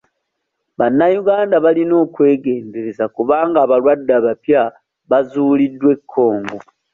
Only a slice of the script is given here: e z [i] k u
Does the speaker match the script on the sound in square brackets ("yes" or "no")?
no